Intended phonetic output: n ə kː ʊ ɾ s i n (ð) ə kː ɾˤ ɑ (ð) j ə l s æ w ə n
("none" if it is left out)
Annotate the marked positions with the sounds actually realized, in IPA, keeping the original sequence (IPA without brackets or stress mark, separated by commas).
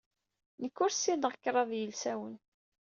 ʁ, ð